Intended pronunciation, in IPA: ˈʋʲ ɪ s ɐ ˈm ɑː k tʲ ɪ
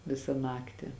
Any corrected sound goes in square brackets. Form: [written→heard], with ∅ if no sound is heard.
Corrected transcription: ˈʋʲ ɪ s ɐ [ˈm→ˈn] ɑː k tʲ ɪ